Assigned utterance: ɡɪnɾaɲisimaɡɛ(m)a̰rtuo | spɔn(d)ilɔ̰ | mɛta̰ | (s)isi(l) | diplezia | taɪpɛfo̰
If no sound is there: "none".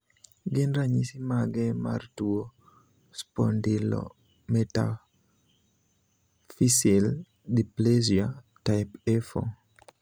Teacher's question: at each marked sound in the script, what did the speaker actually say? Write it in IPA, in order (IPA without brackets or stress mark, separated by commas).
m, d, f, l